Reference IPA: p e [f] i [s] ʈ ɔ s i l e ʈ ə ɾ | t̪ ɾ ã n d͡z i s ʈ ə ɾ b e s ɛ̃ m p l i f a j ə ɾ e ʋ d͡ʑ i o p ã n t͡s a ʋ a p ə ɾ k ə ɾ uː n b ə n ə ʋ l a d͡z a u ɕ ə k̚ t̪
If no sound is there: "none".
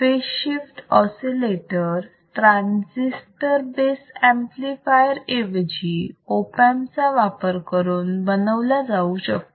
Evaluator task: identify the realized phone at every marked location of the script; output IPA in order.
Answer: ɕ, f

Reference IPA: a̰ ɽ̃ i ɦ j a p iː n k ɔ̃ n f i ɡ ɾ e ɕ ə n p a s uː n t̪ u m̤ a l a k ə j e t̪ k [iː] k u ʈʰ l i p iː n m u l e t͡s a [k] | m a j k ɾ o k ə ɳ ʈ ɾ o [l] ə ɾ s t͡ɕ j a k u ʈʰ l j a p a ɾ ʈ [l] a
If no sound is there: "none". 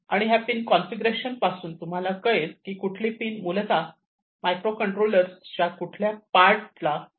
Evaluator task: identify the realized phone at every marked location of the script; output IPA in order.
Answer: iː, none, l, l

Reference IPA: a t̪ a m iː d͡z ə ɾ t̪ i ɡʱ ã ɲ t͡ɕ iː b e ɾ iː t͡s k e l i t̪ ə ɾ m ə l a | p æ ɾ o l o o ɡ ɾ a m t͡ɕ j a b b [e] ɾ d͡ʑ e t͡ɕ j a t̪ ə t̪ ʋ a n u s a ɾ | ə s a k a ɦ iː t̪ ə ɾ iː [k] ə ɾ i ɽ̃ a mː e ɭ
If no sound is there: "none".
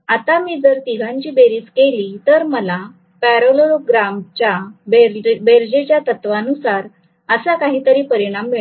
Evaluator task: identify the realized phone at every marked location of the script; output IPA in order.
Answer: e, p

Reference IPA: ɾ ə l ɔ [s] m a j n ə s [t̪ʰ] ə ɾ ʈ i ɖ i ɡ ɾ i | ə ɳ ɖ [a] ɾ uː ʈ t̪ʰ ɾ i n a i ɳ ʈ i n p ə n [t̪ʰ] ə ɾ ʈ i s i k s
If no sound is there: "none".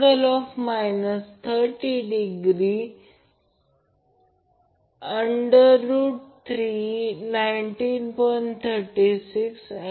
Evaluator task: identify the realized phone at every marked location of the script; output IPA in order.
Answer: f, t̪ʰ, ə, t̪ʰ

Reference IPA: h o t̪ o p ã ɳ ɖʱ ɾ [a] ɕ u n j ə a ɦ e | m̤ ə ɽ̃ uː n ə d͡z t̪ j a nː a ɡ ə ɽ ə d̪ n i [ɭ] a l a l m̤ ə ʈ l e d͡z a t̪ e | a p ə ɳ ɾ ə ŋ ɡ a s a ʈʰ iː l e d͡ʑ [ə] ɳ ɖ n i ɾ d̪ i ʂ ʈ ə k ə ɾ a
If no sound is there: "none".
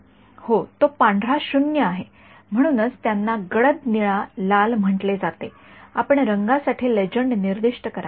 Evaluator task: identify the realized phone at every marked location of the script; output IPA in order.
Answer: a, ɭ, ə

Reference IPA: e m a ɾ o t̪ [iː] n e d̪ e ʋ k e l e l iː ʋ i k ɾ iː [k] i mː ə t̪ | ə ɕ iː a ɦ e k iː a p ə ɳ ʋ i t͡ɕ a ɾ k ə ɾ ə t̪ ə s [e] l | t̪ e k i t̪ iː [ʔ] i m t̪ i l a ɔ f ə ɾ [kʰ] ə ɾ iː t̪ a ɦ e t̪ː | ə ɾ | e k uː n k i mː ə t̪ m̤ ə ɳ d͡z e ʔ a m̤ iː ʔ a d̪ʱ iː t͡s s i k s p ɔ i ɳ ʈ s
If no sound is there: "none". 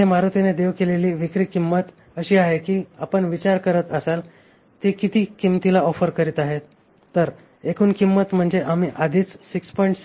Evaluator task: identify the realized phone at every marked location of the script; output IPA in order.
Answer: i, k, a, k, k

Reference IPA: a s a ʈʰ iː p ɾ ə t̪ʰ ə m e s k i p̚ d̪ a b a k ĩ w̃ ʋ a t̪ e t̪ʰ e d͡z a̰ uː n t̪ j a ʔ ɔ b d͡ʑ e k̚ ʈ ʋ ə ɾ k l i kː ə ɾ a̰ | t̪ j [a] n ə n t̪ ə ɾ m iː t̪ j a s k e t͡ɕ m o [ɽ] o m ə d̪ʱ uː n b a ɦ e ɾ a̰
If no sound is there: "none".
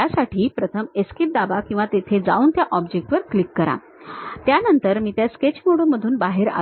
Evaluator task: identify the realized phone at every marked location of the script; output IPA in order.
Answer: a, ɽ

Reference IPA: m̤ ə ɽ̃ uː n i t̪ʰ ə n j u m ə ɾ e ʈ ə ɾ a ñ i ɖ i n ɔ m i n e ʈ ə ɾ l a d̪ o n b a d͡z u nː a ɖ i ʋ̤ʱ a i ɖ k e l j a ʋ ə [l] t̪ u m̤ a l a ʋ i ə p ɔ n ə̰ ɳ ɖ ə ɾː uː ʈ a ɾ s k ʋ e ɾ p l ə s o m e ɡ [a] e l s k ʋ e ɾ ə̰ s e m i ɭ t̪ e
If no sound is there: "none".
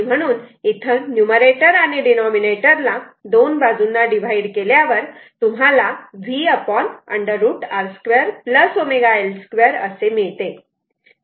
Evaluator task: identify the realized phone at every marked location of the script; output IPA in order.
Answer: ɾ, a

